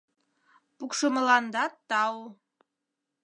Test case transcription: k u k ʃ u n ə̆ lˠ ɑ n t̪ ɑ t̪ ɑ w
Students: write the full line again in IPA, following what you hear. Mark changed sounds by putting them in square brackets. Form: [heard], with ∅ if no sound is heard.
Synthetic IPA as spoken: [p] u k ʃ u [m] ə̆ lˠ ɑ n [d̪] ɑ t̪ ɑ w